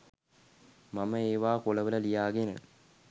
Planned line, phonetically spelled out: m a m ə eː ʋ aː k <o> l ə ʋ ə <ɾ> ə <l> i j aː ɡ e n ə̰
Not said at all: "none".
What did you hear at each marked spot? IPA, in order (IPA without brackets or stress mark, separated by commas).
o, l, l